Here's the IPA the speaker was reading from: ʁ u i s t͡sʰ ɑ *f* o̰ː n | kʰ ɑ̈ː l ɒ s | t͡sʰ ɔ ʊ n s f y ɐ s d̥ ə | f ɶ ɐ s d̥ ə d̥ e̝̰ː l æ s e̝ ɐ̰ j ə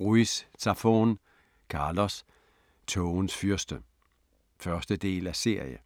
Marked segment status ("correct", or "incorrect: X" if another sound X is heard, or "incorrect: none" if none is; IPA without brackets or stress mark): correct